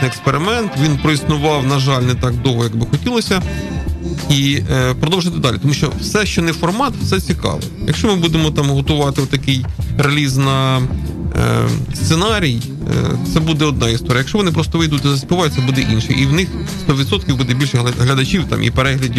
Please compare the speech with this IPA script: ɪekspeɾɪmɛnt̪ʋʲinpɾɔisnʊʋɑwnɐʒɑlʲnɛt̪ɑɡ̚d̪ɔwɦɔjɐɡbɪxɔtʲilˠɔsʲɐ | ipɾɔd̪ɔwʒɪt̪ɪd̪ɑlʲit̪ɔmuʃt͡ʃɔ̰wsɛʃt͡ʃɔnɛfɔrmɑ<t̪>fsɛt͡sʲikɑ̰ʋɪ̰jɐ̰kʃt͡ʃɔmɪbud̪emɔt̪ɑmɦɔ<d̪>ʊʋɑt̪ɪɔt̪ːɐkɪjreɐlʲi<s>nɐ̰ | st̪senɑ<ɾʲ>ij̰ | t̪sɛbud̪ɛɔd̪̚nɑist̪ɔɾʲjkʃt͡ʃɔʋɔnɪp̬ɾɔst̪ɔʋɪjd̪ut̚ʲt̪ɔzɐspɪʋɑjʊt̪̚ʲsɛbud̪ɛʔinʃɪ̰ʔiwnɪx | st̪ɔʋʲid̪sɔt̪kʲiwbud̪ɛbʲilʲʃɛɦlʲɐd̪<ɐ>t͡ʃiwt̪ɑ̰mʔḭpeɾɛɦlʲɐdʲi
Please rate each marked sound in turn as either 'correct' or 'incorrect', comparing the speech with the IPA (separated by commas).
correct, incorrect, incorrect, correct, correct